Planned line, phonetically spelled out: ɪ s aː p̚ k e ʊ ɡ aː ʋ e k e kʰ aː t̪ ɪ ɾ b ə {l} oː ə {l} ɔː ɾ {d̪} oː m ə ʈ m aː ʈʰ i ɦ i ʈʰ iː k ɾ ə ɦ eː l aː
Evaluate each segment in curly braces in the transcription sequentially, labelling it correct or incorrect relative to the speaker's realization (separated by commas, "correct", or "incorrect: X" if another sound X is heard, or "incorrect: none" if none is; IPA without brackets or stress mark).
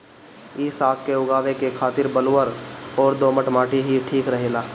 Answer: correct, incorrect: ɾ, correct